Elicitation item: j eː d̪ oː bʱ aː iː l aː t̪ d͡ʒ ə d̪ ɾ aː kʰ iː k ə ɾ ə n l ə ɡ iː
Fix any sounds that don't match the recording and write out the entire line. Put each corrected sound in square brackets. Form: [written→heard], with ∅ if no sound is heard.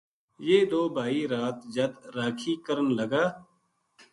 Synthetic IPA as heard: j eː d̪ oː bʱ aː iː [l→ɾ] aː t̪ d͡ʒ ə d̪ ɾ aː kʰ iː k ə ɾ ə n l ə ɡ [iː→aː]